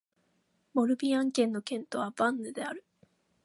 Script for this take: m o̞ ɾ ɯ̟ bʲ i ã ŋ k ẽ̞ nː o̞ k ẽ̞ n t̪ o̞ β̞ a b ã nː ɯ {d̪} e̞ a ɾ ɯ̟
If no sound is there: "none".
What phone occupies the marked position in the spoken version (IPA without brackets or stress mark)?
d̪